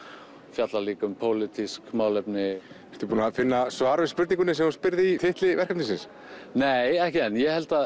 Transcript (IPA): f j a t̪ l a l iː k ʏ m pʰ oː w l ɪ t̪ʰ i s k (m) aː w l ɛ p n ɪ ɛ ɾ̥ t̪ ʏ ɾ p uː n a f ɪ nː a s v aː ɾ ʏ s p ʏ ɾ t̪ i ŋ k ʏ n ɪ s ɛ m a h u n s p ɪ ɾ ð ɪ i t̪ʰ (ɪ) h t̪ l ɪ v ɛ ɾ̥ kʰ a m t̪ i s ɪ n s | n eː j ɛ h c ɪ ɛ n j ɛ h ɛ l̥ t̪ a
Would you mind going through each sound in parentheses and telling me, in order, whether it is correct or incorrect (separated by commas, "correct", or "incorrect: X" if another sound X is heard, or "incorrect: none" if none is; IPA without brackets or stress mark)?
correct, correct